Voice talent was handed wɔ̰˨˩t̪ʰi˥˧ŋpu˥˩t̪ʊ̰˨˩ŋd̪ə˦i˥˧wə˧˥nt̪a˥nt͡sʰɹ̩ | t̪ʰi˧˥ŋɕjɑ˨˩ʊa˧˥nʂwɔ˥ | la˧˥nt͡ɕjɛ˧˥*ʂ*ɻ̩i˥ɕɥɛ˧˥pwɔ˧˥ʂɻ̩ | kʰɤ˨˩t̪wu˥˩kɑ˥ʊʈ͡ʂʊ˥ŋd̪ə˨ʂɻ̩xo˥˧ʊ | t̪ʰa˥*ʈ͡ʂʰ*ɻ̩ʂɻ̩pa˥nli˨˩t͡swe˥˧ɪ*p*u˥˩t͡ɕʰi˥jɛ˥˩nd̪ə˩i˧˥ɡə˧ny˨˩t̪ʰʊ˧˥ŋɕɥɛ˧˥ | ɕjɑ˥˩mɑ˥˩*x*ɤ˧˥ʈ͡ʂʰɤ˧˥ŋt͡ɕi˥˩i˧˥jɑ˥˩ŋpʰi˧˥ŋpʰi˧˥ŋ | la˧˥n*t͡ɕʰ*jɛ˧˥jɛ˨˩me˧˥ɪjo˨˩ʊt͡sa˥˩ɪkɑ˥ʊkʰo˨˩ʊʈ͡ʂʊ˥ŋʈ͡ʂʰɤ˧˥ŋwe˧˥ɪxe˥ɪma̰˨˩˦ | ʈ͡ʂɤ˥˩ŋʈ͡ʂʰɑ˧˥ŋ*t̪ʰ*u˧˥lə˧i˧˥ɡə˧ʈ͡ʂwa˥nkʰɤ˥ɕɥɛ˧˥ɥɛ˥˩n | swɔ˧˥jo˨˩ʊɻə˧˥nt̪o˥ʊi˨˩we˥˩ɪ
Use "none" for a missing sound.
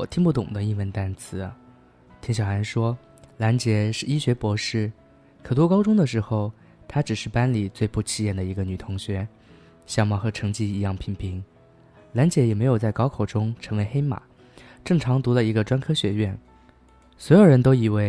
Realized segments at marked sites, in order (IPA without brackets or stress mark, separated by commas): ʂ, ʈ͡ʂ, p, x, t͡ɕ, t̪